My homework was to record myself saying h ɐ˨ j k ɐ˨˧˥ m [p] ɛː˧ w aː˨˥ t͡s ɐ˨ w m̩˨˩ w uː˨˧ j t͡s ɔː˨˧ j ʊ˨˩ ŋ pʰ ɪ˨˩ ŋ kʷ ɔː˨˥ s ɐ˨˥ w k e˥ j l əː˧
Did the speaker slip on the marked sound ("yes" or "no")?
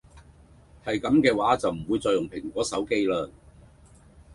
yes